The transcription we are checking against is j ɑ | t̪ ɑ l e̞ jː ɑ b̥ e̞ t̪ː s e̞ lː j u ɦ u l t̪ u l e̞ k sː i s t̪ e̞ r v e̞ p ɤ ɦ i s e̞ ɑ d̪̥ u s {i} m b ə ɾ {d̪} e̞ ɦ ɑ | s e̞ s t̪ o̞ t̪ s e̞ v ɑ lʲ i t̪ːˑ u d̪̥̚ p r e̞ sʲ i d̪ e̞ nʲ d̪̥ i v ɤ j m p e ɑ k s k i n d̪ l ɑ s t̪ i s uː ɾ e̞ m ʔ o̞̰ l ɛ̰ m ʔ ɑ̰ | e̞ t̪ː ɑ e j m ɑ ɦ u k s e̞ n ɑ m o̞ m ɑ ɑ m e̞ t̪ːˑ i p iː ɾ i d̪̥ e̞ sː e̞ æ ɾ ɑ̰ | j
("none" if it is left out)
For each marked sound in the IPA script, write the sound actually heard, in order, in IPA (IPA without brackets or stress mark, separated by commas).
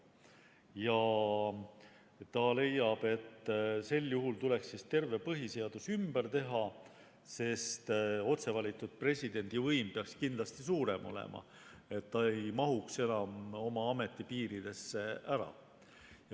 y, t̪